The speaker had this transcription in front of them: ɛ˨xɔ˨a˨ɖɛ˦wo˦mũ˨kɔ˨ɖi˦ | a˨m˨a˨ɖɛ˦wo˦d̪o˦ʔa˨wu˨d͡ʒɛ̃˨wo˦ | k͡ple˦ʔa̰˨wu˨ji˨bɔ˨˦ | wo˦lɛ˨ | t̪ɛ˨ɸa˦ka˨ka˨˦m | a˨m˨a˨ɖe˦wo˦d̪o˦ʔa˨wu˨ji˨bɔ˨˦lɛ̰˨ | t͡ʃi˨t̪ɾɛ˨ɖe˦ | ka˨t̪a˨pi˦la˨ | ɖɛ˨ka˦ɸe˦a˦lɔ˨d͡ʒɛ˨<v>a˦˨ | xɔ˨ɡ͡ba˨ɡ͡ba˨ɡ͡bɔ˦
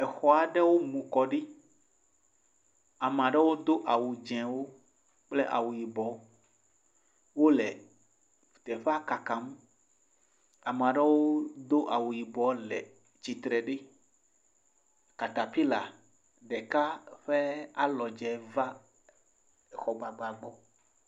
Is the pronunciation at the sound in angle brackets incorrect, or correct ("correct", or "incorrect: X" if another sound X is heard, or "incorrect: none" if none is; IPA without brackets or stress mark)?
correct